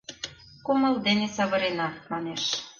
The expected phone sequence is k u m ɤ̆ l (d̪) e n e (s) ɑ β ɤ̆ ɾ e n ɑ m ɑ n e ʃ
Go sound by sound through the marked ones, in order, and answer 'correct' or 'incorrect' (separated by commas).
correct, correct